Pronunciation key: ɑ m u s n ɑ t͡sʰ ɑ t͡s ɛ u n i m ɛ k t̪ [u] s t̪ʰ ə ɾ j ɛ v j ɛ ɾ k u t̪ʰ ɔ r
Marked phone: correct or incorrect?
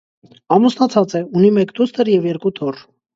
correct